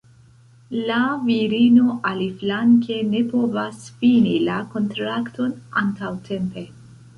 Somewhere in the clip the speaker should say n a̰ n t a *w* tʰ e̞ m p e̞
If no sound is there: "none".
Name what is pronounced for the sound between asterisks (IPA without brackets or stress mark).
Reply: w